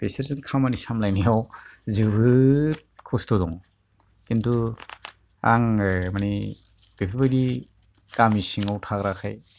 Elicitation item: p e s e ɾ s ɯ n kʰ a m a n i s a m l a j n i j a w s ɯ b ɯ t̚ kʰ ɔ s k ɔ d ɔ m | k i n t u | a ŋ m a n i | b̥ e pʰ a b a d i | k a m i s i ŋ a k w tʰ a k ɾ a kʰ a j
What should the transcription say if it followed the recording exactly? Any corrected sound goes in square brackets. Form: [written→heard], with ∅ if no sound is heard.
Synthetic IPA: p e s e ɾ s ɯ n kʰ a m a n i s a m l a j n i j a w [s→z] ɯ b ɯ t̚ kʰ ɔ s [k→t] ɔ d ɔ [m→ŋ] | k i n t u | a ŋ m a n i | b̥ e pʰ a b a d i | k a m i s i ŋ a [k→∅] w tʰ a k ɾ a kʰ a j